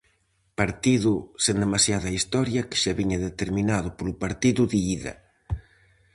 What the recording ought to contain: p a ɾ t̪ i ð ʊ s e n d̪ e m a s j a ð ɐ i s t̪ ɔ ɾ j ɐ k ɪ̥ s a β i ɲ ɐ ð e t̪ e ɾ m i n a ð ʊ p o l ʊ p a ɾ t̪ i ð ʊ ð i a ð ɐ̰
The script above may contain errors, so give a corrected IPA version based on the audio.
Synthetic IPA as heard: p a ɾ t̪ i ð ʊ s e n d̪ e m a s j a ð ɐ i s t̪ ɔ ɾ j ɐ k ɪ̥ ʃ a β i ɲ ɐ ð e t̪ e ɾ m i n a ð ʊ p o l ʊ p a ɾ t̪ i ð ʊ ð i i ð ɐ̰